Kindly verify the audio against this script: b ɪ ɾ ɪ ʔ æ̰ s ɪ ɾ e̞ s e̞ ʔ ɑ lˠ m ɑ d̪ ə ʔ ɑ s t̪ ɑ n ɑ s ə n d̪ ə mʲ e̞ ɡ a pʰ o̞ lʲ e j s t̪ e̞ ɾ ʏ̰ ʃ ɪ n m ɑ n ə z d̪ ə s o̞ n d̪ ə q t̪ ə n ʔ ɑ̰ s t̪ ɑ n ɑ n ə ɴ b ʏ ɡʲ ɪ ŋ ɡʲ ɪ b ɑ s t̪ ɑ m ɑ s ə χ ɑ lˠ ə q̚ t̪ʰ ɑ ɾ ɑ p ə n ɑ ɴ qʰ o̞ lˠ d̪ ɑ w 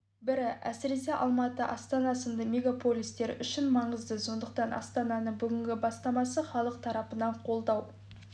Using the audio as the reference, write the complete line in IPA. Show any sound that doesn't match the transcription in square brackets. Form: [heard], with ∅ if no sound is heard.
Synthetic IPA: b ɪ ɾ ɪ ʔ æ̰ s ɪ ɾ e̞ s e̞ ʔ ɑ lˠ m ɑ [t̪] ə ʔ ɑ s t̪ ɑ n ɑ s ə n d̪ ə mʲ e̞ ɡ a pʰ o̞ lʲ [i] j s t̪ e̞ ɾ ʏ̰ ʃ ɪ n m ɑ [ɴ] ə z d̪ ə s o̞ n d̪ ə q t̪ [ɑ] n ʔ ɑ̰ s t̪ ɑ n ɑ n ə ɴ b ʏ ɡʲ ɪ ŋ ɡʲ ɪ b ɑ s t̪ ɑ m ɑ s ə χ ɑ lˠ ə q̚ t̪ʰ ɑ ɾ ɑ p ə n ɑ ɴ qʰ o̞ lˠ d̪ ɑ w

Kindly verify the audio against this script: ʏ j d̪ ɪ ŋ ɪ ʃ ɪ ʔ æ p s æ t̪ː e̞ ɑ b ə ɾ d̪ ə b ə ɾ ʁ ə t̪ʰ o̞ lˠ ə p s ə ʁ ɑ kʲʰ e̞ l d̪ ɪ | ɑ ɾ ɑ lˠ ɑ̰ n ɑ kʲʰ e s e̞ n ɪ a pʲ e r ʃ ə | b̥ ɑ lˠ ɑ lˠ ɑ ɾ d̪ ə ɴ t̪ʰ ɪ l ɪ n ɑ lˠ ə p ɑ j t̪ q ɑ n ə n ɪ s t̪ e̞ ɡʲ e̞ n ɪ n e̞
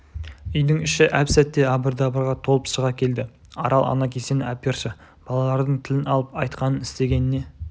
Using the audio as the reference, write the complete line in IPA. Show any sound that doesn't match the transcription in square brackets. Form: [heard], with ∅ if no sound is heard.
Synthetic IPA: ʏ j d̪ ɪ ŋ ɪ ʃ ɪ ʔ æ p s æ t̪ː e̞ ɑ b ə ɾ d̪ [ɑ] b ə ɾ ʁ [ɑ] t̪ʰ o̞ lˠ ə p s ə ʁ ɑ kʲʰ e̞ l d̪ ɪ | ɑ ɾ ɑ lˠ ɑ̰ n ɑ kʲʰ e s e̞ n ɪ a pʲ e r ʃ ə | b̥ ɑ lˠ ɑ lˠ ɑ ɾ d̪ ə ɴ t̪ʰ ɪ l ɪ n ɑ lˠ ə p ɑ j t̪ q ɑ n ə n ɪ s t̪ e̞ ɡʲ e̞ n ɪ n e̞

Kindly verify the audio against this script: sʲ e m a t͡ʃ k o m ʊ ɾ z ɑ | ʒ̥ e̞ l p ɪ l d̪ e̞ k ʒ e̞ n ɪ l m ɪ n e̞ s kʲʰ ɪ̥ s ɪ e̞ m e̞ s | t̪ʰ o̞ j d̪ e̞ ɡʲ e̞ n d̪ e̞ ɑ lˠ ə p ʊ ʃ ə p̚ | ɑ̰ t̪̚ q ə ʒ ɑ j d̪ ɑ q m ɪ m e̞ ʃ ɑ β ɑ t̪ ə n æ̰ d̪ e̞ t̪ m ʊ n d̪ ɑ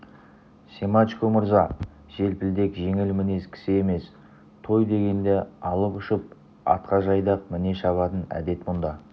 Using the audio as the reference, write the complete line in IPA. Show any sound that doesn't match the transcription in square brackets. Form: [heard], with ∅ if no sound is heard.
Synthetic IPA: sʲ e m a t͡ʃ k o m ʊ ɾ z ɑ | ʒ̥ e̞ l p ɪ l d̪ e̞ k ʒ e̞ [ŋ] ɪ l m ɪ n e̞ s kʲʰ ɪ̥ s ɪ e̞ m e̞ s | t̪ʰ o̞ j d̪ e̞ ɡʲ e̞ n d̪ e̞ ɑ lˠ ə p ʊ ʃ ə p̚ | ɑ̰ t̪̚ q [ɑ] ʒ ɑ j d̪ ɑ q m ɪ [n] e̞ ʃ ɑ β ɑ t̪ ə n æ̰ d̪ e̞ t̪ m ʊ n d̪ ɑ

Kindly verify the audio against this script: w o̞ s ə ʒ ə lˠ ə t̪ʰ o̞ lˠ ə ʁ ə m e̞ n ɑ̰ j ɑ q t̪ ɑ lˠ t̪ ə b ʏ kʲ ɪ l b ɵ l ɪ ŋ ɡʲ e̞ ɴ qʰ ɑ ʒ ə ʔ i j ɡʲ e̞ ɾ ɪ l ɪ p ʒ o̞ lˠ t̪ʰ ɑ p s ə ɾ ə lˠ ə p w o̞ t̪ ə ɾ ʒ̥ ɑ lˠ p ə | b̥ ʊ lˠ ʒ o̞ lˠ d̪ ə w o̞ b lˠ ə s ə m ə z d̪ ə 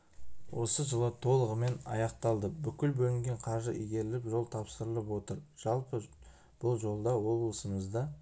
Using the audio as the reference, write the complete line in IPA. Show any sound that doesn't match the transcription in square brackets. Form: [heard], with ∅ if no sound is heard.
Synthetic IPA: w o̞ s ə ʒ ə lˠ ə t̪ʰ o̞ lˠ ə ʁ ə m e̞ n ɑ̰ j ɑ q t̪ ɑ lˠ [d̪] ə b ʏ kʲ ɪ l b ɵ l ɪ ŋ ɡʲ e̞ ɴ qʰ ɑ ʒ ə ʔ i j ɡʲ e̞ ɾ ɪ l ɪ p ʒ o̞ lˠ t̪ʰ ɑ p s ə ɾ ə lˠ ə p w o̞ t̪ ə ɾ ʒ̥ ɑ lˠ p ə | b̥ ʊ lˠ ʒ o̞ lˠ d̪ [ɑ] w o̞ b lˠ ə s ə m ə z d̪ [ɑ]

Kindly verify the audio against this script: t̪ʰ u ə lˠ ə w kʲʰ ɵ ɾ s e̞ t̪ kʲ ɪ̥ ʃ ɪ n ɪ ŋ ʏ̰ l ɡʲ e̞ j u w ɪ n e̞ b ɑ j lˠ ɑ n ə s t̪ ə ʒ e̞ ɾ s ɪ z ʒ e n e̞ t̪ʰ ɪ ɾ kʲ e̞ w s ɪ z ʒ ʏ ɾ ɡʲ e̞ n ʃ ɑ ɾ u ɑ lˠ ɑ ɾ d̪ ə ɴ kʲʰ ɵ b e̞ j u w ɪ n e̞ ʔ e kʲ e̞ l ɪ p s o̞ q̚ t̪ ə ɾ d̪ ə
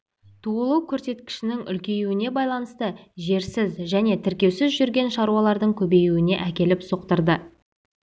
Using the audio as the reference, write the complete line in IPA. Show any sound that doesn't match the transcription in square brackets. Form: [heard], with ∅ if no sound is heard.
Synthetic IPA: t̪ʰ u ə lˠ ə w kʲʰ ɵ ɾ s e̞ t̪ kʲ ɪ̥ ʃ ɪ n ɪ ŋ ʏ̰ l [kʲ] e̞ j u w ɪ n e̞ b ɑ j lˠ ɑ n ə s t̪ ə ʒ e̞ ɾ s ɪ z ʒ [æ] n e̞ t̪ʰ ɪ ɾ kʲ e̞ w s ɪ z ʒ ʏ ɾ ɡʲ e̞ n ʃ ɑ ɾ u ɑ lˠ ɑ ɾ d̪ ə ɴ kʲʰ ɵ b e̞ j u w ɪ n e̞ ʔ [æ] kʲ e̞ l ɪ p s o̞ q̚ t̪ ə ɾ d̪ ə

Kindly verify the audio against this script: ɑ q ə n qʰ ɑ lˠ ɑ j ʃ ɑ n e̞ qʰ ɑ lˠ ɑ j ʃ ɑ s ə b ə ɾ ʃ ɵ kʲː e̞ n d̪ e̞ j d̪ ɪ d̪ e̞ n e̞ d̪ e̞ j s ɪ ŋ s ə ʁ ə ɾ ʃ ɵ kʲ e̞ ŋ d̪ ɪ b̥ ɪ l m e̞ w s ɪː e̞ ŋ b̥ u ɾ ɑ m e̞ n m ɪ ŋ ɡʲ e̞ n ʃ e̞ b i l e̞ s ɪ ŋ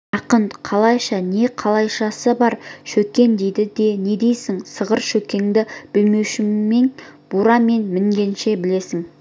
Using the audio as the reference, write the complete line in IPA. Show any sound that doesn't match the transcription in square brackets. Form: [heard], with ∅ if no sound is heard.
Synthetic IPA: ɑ q ə n qʰ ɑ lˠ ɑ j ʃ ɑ n e̞ qʰ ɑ lˠ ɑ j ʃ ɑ s ə b [ɑ] ɾ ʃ ɵ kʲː e̞ n d̪ e̞ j d̪ ɪ d̪ e̞ n e̞ d̪ e̞ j s ɪ ŋ s ə ʁ ə ɾ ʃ ɵ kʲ e̞ ŋ d̪ ɪ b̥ ɪ l m e̞ w [ʃ] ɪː e̞ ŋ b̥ u ɾ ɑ m e̞ n m ɪ ŋ ɡʲ e̞ n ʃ e̞ b [ɪ] l e̞ s ɪ ŋ

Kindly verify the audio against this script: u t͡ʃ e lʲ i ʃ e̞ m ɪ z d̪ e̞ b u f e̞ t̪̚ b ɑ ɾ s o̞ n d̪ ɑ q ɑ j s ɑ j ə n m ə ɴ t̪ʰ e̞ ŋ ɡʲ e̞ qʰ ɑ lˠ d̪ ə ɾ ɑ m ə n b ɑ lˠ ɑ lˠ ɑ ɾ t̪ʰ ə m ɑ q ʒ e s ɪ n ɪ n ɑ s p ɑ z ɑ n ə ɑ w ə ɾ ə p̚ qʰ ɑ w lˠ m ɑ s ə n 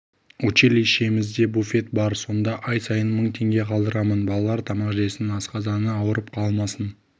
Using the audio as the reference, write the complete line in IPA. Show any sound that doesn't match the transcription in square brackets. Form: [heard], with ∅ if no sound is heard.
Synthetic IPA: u t͡ʃ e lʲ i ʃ e̞ m ɪ z d̪ e̞ b u f e̞ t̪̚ b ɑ ɾ s o̞ n d̪ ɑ [ʔ] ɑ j s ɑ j ə n m ə ɴ t̪ʰ e̞ ŋ ɡʲ e̞ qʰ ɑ lˠ d̪ ə ɾ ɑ m ə n b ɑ lˠ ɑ lˠ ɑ ɾ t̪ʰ [ɑ] m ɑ q ʒ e s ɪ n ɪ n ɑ s [q] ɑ z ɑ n ə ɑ w ə ɾ ə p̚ qʰ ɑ [∅] lˠ m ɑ s ə n

